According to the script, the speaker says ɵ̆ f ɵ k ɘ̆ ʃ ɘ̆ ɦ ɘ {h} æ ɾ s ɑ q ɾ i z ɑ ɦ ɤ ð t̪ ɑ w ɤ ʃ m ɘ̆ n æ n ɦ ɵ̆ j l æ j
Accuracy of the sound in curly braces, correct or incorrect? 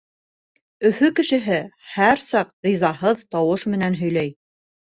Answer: correct